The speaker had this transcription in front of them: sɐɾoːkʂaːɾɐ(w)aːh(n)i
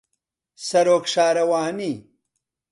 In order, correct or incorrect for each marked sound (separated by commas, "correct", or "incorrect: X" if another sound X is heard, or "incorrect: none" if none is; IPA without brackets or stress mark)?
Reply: correct, correct